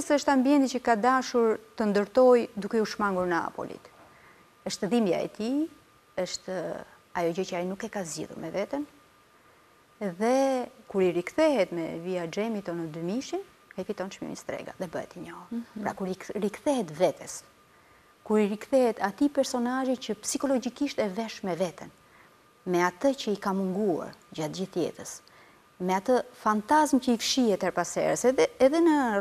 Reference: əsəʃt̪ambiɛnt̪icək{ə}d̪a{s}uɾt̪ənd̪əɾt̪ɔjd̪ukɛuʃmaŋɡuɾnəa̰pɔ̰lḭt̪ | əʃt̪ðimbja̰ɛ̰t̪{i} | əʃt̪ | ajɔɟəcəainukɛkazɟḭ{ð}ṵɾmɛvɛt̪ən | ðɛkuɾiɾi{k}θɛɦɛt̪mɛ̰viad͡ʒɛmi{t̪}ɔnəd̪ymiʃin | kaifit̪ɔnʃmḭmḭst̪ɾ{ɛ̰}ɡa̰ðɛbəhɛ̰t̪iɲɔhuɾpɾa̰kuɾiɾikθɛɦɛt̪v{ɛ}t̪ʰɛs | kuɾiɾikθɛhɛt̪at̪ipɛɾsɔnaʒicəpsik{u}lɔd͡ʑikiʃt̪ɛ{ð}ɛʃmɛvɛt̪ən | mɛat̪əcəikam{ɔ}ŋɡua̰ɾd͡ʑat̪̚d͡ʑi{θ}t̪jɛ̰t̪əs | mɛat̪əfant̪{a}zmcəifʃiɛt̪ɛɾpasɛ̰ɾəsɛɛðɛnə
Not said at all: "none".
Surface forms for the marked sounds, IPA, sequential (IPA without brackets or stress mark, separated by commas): a, ʃ, i, ð, k, t̪, ɛ̰, ɛ, ɔ, v, u, θ, a